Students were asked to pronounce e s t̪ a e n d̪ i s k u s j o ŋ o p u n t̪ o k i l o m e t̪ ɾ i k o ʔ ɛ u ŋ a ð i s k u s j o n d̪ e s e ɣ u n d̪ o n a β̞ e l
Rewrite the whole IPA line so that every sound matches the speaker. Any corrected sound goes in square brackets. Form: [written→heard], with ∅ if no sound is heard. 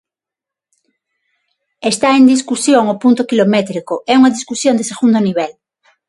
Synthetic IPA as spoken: e s t̪ a e n d̪ i s k u s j o ŋ o p u n t̪ o k i l o m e t̪ ɾ i k o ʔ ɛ u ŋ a ð i s k u s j o n d̪ e s e ɣ u n d̪ o n [a→i] β̞ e l